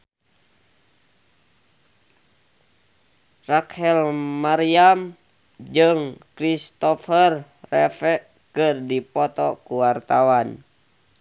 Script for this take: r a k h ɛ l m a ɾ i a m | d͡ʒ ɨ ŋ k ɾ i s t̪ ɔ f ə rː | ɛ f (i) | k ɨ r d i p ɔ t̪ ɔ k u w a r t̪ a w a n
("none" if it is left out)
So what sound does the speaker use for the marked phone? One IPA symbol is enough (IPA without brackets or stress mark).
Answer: ɛ